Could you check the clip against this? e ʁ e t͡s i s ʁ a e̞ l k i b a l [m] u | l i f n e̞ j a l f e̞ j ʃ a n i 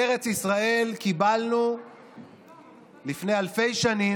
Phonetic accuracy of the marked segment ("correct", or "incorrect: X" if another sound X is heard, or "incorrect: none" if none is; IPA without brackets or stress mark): incorrect: n